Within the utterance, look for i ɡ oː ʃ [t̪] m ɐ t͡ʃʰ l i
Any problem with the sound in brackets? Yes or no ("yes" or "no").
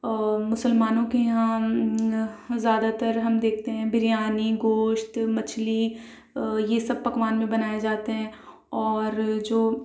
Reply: no